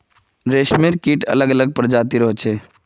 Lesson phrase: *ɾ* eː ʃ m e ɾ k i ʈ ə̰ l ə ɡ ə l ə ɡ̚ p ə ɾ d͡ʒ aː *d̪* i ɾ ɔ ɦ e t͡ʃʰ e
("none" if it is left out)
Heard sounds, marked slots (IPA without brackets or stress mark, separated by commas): ɾ, t̪